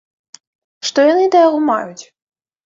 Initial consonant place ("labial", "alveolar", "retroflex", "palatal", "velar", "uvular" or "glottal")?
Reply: retroflex